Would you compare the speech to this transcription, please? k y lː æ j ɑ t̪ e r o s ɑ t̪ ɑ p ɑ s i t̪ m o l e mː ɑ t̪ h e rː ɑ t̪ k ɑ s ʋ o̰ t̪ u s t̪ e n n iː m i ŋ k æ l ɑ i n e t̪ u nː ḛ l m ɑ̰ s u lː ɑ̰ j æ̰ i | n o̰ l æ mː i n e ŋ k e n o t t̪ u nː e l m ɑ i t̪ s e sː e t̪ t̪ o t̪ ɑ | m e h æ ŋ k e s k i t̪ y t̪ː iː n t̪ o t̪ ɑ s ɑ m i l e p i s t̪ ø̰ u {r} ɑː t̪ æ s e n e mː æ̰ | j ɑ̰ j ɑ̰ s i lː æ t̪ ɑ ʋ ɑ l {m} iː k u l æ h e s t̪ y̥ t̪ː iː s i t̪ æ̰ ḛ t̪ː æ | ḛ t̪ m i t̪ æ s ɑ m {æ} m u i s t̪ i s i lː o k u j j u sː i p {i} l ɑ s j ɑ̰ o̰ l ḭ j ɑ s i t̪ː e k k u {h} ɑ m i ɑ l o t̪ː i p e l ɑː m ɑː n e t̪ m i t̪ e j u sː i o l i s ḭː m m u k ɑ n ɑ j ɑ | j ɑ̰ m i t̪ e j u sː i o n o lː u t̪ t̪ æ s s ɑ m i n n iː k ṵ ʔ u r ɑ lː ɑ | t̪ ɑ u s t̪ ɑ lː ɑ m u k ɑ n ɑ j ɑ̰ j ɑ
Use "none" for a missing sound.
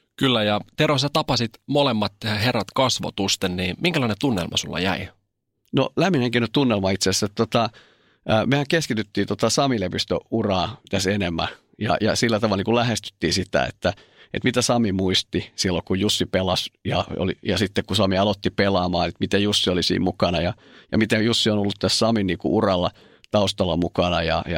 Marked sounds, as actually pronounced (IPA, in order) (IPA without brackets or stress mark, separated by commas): r, n, i, e, s